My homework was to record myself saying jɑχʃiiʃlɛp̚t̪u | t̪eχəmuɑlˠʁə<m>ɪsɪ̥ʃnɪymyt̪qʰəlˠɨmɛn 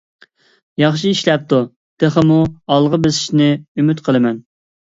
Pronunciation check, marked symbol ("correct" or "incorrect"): incorrect